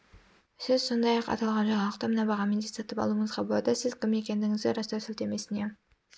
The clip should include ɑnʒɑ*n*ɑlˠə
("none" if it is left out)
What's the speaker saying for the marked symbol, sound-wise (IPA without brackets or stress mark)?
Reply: ɴ